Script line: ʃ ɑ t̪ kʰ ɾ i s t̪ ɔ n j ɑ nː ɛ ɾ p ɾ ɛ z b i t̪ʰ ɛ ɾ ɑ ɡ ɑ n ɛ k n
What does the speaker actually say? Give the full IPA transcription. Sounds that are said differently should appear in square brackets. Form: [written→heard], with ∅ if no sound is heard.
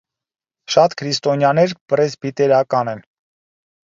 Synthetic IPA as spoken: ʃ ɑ t̪ kʰ ɾ i s t̪ ɔ n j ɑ [nː→n] ɛ ɾ p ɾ ɛ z b i [t̪ʰ→t̪] ɛ ɾ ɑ [ɡ→k] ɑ n ɛ [k→∅] n